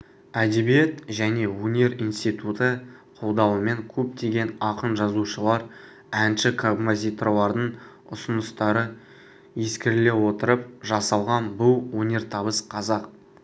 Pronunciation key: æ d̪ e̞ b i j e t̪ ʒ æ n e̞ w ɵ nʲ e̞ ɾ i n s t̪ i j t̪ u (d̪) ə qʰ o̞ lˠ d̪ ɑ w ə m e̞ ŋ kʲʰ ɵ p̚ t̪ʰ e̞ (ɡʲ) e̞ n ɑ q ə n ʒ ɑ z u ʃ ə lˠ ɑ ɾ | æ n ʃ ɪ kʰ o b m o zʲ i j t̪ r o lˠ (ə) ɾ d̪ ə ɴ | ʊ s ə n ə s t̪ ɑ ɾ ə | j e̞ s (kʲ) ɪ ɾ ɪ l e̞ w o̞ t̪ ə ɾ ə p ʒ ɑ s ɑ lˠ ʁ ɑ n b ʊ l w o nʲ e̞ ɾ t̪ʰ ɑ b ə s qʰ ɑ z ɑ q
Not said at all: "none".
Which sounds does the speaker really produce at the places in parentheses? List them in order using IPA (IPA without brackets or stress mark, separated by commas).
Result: t̪, ɡʲ, ɑ, kʲ